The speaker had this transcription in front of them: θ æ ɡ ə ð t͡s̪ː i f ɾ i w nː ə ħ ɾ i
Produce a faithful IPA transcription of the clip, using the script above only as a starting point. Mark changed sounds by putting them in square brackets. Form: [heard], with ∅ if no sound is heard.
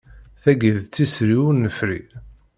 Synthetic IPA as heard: θ æ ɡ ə ð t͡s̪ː i [s] ɾ i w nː ə [f] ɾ i